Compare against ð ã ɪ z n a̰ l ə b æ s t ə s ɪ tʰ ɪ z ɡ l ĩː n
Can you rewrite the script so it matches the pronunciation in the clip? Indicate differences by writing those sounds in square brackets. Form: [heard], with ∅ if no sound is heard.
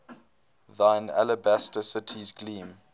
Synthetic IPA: ð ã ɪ [∅] n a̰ l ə b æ s t ə s ɪ tʰ [i] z ɡ l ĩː [m]